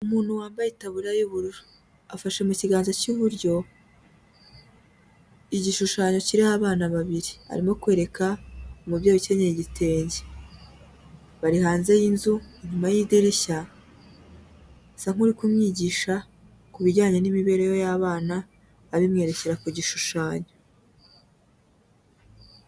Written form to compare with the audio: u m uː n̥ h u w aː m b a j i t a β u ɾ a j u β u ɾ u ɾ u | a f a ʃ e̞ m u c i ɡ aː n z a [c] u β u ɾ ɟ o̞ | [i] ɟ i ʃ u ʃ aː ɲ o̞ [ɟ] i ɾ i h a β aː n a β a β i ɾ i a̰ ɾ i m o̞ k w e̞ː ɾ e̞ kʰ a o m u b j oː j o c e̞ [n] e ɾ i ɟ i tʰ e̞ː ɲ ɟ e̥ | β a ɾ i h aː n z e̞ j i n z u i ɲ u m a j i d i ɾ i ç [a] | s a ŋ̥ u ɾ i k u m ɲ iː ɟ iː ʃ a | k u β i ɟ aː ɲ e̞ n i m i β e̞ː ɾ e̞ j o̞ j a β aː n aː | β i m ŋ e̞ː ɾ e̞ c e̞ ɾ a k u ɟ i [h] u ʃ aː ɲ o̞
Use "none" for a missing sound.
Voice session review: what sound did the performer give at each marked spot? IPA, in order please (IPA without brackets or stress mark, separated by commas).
c, i, c, ɲ, a, ʃ